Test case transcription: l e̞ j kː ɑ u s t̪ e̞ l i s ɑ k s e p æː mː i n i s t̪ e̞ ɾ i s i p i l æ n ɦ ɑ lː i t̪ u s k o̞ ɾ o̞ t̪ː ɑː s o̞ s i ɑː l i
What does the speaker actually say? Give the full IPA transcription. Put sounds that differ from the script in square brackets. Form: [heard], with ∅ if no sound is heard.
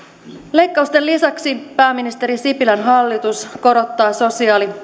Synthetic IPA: l e̞ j kː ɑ u s t̪ e̞ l i s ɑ k s [i] p æː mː i n i s t̪ e̞ ɾ i s i p i l æ n ɦ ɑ lː i t̪ u s k o̞ ɾ o̞ t̪ː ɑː s o̞ s i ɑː l i